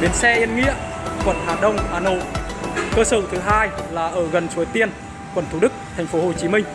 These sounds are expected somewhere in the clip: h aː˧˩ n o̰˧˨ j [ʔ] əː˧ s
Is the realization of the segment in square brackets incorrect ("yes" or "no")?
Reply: yes